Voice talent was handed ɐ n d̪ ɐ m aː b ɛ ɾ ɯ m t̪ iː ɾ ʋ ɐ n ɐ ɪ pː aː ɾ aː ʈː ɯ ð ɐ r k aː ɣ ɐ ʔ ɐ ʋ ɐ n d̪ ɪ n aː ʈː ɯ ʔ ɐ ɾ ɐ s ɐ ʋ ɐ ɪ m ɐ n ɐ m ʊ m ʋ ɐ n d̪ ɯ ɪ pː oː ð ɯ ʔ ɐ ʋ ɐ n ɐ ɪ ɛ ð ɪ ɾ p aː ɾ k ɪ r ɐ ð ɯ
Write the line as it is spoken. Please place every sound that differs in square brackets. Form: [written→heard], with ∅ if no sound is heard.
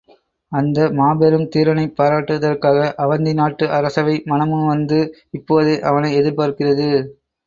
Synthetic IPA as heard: ɐ n d̪ ɐ m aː b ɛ ɾ ɯ m t̪ iː ɾ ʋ ɐ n ɐ ɪ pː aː ɾ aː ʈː ɯ ð ɐ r k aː ɣ ɐ ʔ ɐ ʋ ɐ n d̪ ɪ n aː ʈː ɯ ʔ ɐ ɾ ɐ s ɐ ʋ ɐ ɪ m ɐ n ɐ m [ʊ→ɯ] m ʋ ɐ n d̪ ɯ ɪ pː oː ð ɯ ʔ ɐ ʋ ɐ n ɐ ɪ ɛ ð ɪ ɾ p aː ɾ k ɪ r ɐ ð ɯ

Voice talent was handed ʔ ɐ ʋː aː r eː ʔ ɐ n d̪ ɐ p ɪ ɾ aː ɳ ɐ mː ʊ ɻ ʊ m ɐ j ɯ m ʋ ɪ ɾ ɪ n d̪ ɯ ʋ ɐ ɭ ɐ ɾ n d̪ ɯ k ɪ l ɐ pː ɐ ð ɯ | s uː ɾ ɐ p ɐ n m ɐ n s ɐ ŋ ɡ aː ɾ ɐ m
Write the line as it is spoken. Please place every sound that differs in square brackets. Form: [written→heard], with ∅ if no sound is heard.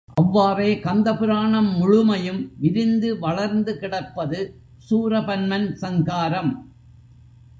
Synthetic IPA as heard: ʔ ɐ ʋː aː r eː [ʔ→k] ɐ n d̪ ɐ p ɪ ɾ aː ɳ ɐ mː ʊ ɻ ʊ m ɐ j ɯ m ʋ ɪ ɾ ɪ n d̪ ɯ ʋ ɐ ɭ ɐ ɾ n d̪ ɯ k ɪ [l→ɽ] ɐ pː ɐ ð ɯ | s uː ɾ ɐ p ɐ n m ɐ n s ɐ ŋ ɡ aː ɾ ɐ m

